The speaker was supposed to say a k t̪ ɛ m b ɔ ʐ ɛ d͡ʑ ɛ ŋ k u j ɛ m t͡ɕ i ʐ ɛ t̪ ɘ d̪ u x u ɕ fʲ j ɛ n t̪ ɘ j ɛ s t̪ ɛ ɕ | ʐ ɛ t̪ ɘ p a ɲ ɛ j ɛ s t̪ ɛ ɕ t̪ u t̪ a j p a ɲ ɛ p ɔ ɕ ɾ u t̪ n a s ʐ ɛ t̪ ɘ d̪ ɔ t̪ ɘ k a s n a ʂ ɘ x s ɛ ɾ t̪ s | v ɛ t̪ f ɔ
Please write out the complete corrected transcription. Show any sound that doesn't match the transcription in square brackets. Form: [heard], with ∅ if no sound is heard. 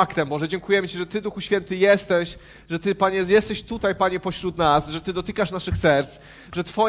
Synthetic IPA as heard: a k t̪ ɛ m b ɔ ʐ ɛ d͡ʑ ɛ ŋ k u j ɛ m t͡ɕ i ʐ ɛ t̪ ɘ d̪ u x u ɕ fʲ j ɛ n t̪ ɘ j ɛ s t̪ ɛ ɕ | ʐ ɛ t̪ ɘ p a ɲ ɛ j ɛ s t̪ ɛ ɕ t̪ u t̪ a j p a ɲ ɛ p ɔ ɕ ɾ u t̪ n a s ʐ ɛ t̪ ɘ d̪ ɔ t̪ ɘ k a [ʂ] n a ʂ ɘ x s ɛ ɾ t̪ s | [ʐ] ɛ t̪ f ɔ